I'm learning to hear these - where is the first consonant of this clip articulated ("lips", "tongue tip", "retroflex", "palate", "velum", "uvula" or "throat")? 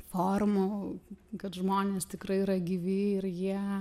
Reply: lips